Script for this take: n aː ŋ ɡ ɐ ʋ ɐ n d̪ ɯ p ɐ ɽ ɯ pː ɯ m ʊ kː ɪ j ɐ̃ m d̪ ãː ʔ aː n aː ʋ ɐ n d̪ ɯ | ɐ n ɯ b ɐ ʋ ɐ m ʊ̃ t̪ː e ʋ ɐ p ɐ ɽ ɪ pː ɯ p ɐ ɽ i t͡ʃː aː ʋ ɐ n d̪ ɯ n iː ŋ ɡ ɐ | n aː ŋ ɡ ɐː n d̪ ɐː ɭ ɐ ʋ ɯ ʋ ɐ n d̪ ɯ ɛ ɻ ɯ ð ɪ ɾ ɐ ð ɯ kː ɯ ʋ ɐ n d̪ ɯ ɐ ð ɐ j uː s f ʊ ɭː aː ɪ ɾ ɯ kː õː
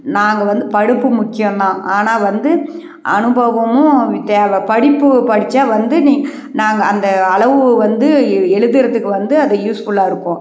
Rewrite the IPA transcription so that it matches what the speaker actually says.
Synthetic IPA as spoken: n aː ŋ ɡ ɐ ʋ ɐ n d̪ ɯ p ɐ ɽ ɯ pː ɯ m ʊ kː ɪ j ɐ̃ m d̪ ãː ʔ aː n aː ʋ ɐ n d̪ ɯ | ɐ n ɯ b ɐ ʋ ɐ m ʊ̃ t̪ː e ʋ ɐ p ɐ ɽ ɪ pː ɯ p ɐ ɽ ɪ t͡ʃː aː ʋ ɐ n d̪ ɯ n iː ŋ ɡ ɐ | n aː ŋ ɡ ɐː n d̪ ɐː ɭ ɐ ʋ ɯ ʋ ɐ n d̪ ɯ ɛ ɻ ɯ ð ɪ ɾ ɐ ð ɯ kː ɯ ʋ ɐ n d̪ ɯ ɐ ð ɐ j uː s f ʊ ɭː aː ɪ ɾ ɯ kː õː